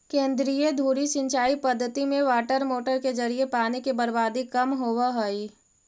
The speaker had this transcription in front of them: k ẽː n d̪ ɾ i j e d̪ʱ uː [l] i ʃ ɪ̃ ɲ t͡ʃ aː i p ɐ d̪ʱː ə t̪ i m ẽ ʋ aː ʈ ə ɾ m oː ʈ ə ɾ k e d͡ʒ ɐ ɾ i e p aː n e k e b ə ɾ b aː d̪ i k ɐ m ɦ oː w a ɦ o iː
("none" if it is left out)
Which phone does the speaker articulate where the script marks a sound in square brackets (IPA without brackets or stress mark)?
ɾ